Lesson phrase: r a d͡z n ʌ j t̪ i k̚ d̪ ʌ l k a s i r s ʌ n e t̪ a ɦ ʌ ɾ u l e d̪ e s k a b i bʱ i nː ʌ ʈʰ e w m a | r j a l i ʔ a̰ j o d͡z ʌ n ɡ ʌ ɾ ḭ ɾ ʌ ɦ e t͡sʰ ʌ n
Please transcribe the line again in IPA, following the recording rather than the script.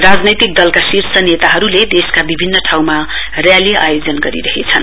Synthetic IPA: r a d͡z n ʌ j t̪ i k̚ d̪ ʌ l k a s i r s ʌ n e t̪ a ɦ ʌ ɾ u l e d̪ e s k a b i bʱ i nː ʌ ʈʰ a w m a | r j a l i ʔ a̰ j o d͡z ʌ n ɡ ʌ ɾ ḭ ɾ ʌ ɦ e t͡sʰ ʌ n